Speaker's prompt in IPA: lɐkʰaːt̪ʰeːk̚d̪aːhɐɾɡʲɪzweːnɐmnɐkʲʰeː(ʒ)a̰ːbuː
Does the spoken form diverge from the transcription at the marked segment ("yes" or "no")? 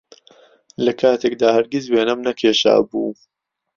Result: yes